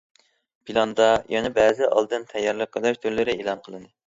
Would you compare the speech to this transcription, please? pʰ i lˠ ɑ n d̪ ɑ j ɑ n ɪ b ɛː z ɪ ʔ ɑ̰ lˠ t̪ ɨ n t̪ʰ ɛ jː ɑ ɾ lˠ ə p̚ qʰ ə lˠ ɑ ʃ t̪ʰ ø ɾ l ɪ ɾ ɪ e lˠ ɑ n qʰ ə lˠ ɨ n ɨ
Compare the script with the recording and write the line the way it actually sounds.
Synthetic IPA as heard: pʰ i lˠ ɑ n d̪ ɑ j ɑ n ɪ b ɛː z ɪ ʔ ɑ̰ lˠ d̪ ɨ n t̪ʰ ɛ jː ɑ ɾ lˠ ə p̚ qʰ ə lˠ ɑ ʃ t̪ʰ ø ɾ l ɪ ɾ ɪ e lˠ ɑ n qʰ ə lˠ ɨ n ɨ